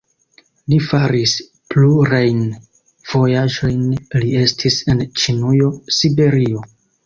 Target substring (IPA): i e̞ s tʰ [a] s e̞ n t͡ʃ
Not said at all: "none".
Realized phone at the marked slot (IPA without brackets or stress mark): i